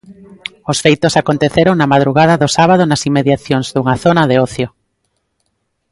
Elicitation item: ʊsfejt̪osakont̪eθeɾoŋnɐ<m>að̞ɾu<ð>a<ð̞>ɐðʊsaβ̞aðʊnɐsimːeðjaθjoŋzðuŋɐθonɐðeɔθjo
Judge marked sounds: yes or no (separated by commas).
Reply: yes, no, yes